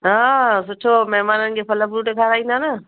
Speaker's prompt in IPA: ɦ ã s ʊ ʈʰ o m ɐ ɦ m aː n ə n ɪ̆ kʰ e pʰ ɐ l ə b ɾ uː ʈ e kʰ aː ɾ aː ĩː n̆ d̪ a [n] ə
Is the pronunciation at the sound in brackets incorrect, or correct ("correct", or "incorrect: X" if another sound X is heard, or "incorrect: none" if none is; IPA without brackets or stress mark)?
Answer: correct